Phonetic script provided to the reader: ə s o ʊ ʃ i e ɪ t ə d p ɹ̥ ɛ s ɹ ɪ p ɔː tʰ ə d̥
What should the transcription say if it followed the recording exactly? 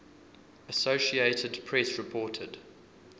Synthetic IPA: ə s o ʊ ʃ i e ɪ t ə d pʰ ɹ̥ ɛ s ɹ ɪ pʰ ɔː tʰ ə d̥